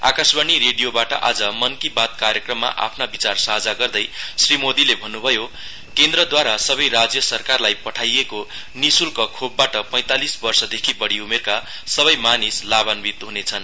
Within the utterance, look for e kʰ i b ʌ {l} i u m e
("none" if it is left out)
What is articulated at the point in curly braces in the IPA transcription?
ɽ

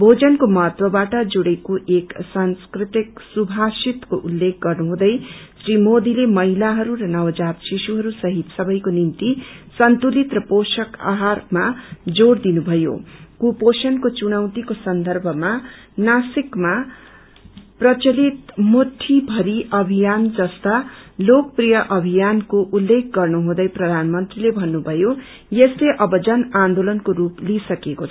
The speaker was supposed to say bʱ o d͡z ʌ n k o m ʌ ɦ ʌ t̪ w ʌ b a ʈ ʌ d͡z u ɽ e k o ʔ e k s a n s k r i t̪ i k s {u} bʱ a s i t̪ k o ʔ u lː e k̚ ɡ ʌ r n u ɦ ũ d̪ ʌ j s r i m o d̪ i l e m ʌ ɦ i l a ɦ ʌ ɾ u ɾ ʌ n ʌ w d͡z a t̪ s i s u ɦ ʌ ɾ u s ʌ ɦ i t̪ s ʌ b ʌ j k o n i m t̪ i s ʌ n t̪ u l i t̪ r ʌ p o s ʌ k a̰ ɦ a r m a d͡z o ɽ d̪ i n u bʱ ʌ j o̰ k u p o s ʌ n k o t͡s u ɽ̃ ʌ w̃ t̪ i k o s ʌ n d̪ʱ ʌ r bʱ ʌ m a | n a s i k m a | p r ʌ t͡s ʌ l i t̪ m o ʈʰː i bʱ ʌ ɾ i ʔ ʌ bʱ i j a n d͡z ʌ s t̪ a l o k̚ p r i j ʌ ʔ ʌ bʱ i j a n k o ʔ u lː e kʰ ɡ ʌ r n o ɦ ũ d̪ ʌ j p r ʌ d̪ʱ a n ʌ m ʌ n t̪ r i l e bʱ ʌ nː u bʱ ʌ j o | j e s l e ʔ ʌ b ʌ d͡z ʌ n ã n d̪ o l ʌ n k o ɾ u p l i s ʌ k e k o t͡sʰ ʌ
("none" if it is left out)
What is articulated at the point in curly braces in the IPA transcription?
u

